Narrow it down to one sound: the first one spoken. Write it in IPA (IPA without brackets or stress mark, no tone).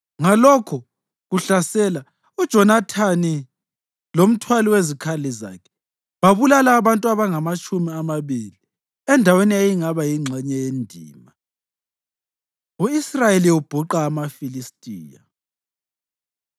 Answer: ŋ